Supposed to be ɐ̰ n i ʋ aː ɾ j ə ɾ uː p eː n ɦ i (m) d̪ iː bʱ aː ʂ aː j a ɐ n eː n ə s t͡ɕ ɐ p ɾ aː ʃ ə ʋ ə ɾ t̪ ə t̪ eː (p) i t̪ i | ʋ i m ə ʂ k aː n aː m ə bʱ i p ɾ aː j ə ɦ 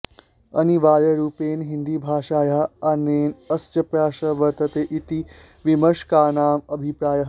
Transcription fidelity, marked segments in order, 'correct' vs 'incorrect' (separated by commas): incorrect, incorrect